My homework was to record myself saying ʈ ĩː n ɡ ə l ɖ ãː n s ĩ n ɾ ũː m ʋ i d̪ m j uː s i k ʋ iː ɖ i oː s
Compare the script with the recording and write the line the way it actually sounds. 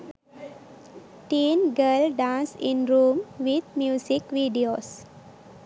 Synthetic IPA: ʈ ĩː n ɡ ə l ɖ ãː n s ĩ n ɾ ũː m ʋ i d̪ m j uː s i k ʋ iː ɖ i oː s